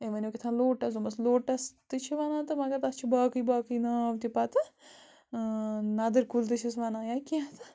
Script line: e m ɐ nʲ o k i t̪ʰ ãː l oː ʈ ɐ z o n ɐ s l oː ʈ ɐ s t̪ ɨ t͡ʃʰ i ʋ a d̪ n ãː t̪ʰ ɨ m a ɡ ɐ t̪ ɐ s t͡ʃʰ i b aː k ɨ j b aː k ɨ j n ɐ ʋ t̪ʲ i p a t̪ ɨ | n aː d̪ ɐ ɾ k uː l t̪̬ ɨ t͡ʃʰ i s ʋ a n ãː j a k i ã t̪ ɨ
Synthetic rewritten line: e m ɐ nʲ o k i t̪ʰ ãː l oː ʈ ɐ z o m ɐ s l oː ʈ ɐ s t̪ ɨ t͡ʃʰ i ʋ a n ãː t̪ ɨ m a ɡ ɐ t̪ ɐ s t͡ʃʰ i b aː k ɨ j b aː k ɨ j n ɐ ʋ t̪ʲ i p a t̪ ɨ | n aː d̪ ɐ ɾ k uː l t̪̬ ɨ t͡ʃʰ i s ʋ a n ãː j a k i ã t̪ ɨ